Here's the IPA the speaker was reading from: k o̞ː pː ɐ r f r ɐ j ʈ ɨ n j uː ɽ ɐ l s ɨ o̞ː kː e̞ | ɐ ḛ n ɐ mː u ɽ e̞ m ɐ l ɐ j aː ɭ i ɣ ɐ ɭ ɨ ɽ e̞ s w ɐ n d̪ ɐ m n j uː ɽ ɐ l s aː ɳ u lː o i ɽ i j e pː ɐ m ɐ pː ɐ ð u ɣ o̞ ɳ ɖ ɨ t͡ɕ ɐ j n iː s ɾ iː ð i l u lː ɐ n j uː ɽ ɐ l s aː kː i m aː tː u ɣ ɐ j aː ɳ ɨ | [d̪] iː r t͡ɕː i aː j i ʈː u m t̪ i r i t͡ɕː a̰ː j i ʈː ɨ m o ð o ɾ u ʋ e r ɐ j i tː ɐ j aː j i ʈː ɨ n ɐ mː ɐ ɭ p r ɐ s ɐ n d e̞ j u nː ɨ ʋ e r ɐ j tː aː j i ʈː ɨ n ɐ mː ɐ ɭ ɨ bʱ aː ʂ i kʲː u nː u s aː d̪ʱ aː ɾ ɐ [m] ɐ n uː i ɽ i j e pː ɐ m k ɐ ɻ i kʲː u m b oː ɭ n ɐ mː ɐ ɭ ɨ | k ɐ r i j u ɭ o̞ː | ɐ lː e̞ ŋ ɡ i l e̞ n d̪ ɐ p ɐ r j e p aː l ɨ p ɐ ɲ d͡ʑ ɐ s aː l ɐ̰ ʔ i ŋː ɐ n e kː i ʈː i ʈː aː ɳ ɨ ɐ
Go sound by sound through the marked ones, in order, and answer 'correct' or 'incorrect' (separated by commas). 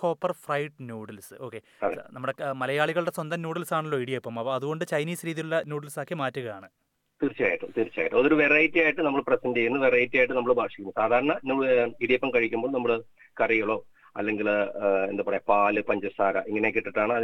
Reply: incorrect, incorrect